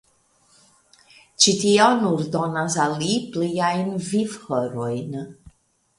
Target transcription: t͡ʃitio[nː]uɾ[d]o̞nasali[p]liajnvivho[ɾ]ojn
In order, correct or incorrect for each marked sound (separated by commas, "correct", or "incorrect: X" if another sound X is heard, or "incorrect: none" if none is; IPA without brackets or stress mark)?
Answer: incorrect: n, correct, correct, correct